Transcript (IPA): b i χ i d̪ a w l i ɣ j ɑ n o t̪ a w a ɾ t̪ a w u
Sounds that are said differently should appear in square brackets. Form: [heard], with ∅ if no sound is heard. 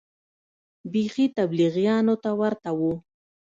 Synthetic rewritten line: b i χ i [t̪] a [b] l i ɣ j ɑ n o t̪ a w a ɾ t̪ a w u